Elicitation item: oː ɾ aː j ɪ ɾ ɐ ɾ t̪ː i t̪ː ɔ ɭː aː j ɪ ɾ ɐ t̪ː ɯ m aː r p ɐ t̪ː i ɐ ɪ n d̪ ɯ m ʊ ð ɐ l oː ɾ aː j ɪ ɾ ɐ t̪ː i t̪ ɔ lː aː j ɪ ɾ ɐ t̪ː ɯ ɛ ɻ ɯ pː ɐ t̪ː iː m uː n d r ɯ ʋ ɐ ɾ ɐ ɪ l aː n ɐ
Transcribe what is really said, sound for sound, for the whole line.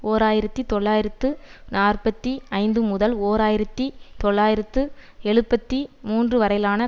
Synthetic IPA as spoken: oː ɾ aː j ɪ ɾ ɐ t̪ː i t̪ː ɔ ɭː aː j ɪ ɾ ɐ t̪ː ɯ n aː r p ɐ t̪ː i ɐ ɪ n d̪ ɯ m ʊ ð ɐ l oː ɾ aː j ɪ ɾ ɐ t̪ː i t̪ ɔ ɭː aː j ɪ ɾ ɐ t̪ː ɯ ɛ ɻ ɯ pː ɐ t̪ː i m uː n d r ɯ ʋ ɐ ɾ ɐ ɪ l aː n ɐ